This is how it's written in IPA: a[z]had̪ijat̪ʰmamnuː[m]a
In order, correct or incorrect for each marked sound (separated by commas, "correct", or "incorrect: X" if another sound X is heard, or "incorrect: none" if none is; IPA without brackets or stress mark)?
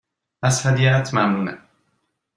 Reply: incorrect: s, incorrect: n